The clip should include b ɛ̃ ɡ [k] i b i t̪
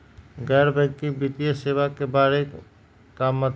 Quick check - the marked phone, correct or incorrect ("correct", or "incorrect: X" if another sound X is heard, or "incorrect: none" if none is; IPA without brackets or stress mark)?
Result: correct